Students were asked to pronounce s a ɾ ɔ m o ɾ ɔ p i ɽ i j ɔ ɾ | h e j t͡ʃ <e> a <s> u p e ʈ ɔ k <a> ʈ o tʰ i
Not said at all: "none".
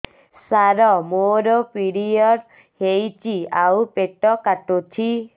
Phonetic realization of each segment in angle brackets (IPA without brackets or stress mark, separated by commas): i, none, a